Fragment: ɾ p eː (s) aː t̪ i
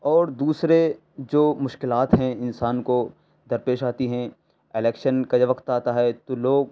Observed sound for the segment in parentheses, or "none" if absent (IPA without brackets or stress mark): ʃ